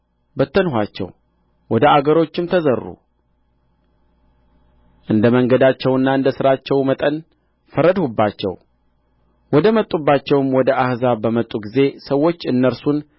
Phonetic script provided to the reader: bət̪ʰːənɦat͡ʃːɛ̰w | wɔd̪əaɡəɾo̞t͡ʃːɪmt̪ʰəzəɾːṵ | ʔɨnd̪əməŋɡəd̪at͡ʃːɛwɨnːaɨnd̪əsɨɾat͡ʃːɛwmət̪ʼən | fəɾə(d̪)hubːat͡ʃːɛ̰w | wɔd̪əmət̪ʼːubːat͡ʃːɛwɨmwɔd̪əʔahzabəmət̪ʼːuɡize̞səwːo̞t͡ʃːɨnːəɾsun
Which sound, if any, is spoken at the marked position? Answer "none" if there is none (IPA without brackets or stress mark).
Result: d̪